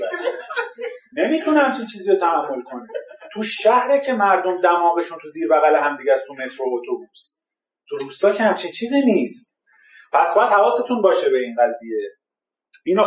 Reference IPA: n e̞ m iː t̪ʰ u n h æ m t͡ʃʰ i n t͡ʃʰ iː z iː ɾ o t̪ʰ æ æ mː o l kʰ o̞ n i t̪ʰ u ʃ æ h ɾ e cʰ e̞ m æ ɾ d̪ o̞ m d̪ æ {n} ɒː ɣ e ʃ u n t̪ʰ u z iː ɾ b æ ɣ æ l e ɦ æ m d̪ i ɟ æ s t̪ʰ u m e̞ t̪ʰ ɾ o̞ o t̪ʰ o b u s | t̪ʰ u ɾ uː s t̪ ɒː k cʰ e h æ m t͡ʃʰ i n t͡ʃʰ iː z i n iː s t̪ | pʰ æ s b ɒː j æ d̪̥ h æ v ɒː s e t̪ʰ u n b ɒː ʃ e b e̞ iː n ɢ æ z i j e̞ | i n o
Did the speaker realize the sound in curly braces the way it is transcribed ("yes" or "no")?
no